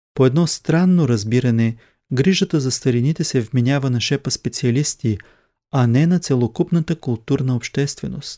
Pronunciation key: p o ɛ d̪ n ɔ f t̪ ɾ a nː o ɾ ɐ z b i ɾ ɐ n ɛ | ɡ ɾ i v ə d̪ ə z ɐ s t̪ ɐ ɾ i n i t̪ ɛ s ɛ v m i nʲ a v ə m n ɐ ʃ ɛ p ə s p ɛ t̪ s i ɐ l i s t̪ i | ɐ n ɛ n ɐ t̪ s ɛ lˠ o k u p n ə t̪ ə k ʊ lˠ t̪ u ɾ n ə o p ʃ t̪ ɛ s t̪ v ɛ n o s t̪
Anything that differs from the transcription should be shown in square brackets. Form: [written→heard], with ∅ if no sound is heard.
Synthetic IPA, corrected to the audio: p o ɛ d̪ n ɔ [f→s] t̪ ɾ a nː o ɾ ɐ z b i ɾ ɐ n ɛ | ɡ ɾ i [v→ʒ] ə [d̪→t̪] ə z ɐ s t̪ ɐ ɾ i n i t̪ ɛ s ɛ v m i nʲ a v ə [m→∅] n ɐ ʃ ɛ p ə s p ɛ t̪ s i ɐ l i s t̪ i | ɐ n ɛ n ɐ t̪ s ɛ lˠ o k u p n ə t̪ ə k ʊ lˠ t̪ u ɾ n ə o p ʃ t̪ ɛ s t̪ v ɛ n o s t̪